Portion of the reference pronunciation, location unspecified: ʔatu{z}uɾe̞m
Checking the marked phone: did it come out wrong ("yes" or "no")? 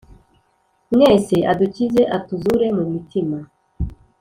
no